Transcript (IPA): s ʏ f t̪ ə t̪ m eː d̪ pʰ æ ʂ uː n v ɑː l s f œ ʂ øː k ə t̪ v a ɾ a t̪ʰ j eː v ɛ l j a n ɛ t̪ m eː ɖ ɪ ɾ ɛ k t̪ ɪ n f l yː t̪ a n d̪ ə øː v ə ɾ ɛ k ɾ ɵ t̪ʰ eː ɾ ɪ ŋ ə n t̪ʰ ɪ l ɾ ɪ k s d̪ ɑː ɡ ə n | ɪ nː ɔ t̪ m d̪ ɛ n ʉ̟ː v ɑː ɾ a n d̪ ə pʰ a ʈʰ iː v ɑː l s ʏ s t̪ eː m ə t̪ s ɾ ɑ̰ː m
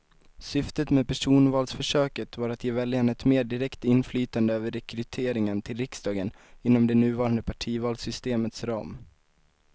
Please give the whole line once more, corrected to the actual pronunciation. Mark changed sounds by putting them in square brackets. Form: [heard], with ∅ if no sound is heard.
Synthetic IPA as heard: s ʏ f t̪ ə t̪ m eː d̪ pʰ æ ʂ uː n v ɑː l s f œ ʂ øː k ə t̪ v a ɾ a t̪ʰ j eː v ɛ l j a n ɛ t̪ m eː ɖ ɪ ɾ ɛ k t̪ ɪ n f l yː t̪ a n d̪ ə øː v ə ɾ ɛ k ɾ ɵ t̪ʰ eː ɾ ɪ ŋ ə n t̪ʰ ɪ l ɾ ɪ k s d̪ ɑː ɡ ə n | ɪ nː ɔ [∅] m d̪ ɛ n ʉ̟ː v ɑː ɾ a n d̪ ə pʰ a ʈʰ iː v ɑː l s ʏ s t̪ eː m ə t̪ s ɾ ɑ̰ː m